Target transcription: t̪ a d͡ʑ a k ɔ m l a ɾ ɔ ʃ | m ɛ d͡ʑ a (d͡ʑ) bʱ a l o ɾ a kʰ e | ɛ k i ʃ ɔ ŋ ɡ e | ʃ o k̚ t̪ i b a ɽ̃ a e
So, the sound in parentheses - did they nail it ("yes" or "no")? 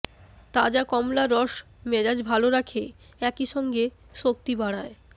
yes